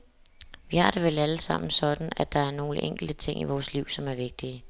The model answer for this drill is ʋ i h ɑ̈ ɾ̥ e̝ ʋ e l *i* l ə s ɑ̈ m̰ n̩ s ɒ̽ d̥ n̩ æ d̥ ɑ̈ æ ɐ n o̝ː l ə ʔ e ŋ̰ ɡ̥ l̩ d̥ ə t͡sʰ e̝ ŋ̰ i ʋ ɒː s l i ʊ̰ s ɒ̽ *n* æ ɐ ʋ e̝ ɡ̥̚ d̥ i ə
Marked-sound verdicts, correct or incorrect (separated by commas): incorrect, incorrect